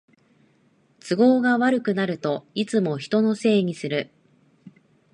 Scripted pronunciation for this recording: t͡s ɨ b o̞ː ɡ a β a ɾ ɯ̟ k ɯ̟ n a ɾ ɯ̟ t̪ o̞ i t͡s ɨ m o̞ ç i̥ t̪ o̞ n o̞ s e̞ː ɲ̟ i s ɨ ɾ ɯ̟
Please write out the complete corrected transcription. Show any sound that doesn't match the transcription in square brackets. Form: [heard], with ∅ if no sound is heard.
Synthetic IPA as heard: t͡s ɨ [ɡ] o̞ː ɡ a β a ɾ ɯ̟ k ɯ̟ n a ɾ ɯ̟ t̪ o̞ i t͡s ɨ m o̞ ç i̥ t̪ o̞ n o̞ s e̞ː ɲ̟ i s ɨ ɾ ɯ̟